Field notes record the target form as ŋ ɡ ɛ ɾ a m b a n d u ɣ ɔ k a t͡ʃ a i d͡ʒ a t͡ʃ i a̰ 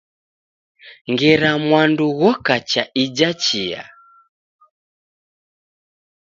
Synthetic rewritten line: ŋ ɡ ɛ ɾ a m w a n d u ɣ ɔ k a t͡ʃ a i d͡ʒ a t͡ʃ i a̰